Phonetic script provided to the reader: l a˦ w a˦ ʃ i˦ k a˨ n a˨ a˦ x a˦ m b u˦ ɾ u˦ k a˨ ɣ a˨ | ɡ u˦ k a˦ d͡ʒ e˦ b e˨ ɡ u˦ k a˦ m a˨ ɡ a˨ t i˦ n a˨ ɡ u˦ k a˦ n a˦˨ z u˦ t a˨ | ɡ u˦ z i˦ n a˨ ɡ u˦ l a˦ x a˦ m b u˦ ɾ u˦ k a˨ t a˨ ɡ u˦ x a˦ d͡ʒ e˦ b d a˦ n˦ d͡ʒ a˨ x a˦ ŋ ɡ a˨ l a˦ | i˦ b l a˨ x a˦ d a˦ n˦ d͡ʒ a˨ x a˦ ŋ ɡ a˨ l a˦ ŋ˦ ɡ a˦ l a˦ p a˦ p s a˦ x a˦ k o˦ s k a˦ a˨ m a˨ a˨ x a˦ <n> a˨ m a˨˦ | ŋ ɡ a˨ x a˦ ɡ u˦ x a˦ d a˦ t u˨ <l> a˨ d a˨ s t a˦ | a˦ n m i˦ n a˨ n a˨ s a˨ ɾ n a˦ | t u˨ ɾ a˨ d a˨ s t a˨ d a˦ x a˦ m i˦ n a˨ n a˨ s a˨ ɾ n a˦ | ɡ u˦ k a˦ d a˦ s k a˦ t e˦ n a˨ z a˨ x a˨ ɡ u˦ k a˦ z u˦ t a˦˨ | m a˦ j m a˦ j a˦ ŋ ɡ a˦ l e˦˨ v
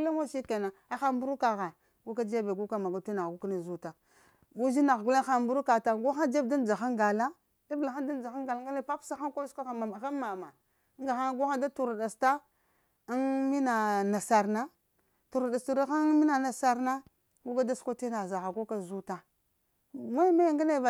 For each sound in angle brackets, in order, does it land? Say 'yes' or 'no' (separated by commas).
no, no